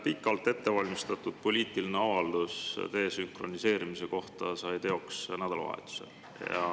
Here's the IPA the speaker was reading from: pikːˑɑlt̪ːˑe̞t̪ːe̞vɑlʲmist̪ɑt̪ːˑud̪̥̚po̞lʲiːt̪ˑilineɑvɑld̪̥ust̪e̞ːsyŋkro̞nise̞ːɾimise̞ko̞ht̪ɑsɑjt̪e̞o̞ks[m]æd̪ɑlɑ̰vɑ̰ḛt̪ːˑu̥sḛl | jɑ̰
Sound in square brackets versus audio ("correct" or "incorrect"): incorrect